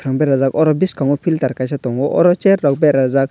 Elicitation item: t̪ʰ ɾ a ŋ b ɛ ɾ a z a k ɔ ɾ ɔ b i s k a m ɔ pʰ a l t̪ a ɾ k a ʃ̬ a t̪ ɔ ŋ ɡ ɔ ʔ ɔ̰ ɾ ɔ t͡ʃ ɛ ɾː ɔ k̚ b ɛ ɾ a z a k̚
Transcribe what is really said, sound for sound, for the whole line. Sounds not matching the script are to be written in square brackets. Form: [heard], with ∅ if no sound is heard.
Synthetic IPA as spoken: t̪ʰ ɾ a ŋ b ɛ ɾ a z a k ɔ ɾ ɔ b i s k a [ŋ] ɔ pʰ [i] l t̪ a ɾ k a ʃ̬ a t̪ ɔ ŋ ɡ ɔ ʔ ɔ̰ ɾ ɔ t͡ʃ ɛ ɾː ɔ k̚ b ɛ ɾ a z a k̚